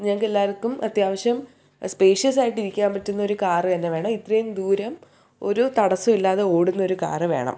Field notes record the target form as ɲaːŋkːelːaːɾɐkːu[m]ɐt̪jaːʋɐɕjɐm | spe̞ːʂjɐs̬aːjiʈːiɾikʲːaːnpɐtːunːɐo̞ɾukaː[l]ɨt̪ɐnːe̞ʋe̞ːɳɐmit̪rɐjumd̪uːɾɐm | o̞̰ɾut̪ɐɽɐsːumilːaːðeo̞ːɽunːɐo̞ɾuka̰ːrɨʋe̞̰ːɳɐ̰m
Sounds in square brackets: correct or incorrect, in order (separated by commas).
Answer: correct, incorrect